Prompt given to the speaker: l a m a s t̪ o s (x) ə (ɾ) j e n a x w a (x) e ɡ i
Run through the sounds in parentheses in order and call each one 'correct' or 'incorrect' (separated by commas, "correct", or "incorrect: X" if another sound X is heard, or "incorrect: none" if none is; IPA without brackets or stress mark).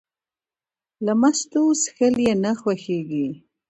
correct, incorrect: l, correct